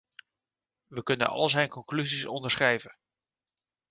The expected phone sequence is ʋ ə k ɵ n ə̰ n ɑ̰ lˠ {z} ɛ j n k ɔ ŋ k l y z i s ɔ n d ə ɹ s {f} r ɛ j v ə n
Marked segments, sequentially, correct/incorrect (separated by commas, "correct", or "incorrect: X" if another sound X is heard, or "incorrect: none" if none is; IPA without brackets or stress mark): correct, incorrect: χ